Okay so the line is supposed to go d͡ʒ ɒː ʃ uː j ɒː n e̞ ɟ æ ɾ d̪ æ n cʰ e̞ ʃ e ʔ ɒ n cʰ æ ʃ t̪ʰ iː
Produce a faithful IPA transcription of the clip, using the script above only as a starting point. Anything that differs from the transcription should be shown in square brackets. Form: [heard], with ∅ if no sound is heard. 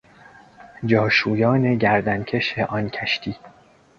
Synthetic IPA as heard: d͡ʒ ɒː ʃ uː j ɒː n e̞ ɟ æ ɾ d̪ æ n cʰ e̞ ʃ e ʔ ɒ n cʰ æ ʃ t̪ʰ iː